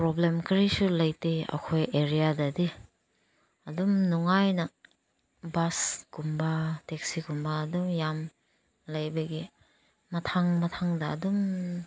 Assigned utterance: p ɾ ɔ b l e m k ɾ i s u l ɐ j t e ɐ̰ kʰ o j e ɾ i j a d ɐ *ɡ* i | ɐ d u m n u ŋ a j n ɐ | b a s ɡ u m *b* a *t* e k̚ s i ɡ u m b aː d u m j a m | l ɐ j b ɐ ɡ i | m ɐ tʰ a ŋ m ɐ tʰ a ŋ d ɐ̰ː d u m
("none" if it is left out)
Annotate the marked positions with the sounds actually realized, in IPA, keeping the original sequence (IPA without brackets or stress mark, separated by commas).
d, b, t